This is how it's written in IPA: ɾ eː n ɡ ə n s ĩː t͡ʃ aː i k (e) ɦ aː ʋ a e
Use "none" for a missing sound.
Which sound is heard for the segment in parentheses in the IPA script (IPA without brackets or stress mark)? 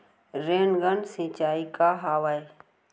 a